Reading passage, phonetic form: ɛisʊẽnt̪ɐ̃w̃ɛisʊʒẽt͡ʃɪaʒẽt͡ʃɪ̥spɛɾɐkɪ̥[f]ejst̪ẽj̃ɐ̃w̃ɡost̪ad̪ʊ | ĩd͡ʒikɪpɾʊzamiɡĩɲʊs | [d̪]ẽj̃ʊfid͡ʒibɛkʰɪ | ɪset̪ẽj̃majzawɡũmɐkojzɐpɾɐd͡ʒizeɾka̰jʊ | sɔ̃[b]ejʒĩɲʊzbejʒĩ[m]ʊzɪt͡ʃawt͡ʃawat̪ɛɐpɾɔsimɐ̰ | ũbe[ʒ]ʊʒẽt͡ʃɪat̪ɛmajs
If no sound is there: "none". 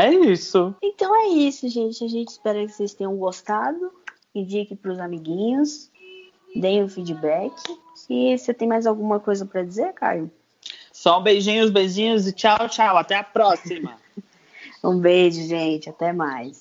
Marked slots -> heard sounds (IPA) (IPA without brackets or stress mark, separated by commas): s, d̪, b, ɲ, ʒ